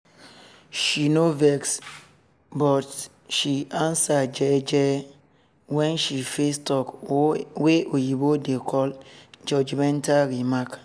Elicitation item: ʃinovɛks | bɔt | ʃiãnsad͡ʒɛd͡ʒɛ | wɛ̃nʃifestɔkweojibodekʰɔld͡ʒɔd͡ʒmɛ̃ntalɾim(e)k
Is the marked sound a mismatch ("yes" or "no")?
yes